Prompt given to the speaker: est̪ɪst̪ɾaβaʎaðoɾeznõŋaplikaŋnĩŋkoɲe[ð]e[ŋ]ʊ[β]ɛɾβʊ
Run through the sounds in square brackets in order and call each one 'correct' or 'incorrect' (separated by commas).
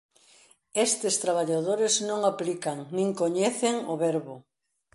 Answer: incorrect, correct, correct